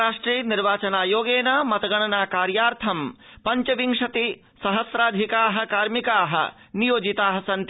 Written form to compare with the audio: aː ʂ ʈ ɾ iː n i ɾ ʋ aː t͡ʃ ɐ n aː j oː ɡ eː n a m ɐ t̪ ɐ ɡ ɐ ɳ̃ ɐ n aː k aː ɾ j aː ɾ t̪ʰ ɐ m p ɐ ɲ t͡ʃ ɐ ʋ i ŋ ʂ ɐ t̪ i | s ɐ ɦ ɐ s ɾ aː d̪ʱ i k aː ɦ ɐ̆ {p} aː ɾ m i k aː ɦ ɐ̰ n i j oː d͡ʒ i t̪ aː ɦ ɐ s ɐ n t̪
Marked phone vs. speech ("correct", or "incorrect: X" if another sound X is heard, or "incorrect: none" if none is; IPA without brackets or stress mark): incorrect: k